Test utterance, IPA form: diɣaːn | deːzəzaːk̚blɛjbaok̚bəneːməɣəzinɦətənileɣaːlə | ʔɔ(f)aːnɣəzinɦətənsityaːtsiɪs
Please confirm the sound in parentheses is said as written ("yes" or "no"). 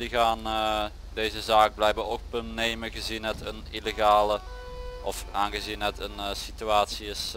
yes